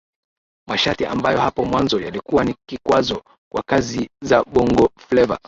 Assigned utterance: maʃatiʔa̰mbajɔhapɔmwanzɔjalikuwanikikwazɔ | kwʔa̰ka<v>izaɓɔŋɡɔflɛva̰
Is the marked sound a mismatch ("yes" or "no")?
yes